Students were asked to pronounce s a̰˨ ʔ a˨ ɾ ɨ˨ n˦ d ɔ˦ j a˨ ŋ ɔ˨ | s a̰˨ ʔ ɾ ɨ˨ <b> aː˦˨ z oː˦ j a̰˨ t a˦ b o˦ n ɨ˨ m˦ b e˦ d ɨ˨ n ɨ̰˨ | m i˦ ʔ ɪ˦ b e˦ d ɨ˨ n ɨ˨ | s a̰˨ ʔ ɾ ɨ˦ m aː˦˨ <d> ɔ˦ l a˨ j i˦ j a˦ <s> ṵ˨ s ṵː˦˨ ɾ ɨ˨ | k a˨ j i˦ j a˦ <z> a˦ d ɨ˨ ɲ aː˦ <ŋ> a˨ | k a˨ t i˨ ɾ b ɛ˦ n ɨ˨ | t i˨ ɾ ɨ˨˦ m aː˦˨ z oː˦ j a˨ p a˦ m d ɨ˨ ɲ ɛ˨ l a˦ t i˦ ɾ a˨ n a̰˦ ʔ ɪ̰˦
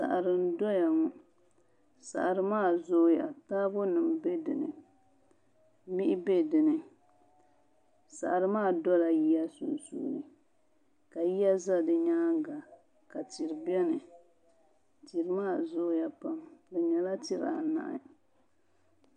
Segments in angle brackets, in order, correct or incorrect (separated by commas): incorrect, correct, correct, correct, incorrect